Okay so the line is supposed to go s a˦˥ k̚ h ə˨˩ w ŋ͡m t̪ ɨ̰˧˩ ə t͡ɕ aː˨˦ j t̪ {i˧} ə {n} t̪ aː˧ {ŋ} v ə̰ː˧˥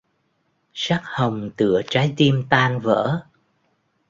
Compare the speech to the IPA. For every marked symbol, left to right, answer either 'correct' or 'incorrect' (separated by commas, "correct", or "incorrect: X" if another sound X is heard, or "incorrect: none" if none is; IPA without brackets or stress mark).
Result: correct, incorrect: m, incorrect: n